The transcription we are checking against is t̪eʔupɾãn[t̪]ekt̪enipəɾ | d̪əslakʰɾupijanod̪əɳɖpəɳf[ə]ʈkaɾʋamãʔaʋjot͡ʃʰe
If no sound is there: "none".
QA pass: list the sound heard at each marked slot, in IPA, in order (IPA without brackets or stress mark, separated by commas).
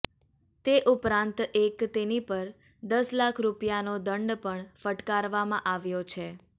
t̪, ə